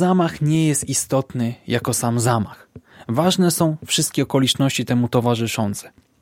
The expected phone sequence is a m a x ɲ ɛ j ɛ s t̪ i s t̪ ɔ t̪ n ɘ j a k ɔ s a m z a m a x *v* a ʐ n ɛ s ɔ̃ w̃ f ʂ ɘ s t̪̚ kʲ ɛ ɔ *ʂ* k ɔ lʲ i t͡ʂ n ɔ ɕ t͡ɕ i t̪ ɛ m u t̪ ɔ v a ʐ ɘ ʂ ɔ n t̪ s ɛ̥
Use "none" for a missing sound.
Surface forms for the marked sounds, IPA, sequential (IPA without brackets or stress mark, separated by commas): v, none